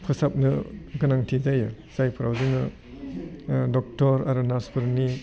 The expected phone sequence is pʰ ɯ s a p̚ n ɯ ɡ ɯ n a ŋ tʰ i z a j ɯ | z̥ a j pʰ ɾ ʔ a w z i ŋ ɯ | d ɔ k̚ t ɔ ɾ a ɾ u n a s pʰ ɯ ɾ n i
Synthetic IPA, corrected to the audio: pʰ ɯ s a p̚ n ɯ ɡ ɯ n a ŋ tʰ i z a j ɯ | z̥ a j pʰ ɾ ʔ a w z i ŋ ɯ | d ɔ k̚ t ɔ ɾ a ɾ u n a s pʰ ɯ ɾ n i